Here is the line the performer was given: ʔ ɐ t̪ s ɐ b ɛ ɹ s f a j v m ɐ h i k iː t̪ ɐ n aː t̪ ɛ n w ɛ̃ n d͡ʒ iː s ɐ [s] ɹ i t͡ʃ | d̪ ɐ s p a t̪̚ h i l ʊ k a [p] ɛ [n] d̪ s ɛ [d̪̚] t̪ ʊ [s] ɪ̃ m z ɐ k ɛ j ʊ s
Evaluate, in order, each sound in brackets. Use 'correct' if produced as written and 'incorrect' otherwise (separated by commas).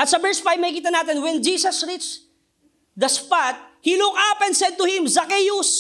correct, correct, correct, correct, incorrect